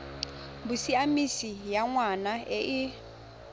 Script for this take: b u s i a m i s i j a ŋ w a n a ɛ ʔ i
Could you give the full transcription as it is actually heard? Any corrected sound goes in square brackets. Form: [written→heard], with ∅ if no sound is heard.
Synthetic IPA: b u s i a m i s i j a ŋ w a n a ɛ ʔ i